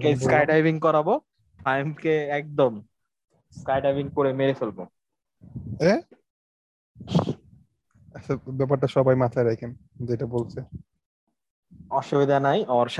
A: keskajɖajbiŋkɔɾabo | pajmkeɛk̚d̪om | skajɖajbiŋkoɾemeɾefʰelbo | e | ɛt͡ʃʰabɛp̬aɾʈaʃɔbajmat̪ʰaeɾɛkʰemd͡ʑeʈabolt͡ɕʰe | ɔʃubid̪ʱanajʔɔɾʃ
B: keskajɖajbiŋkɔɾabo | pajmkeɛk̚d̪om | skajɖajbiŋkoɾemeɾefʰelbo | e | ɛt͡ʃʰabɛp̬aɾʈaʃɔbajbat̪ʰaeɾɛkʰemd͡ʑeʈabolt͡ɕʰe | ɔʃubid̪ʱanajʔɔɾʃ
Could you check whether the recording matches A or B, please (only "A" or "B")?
A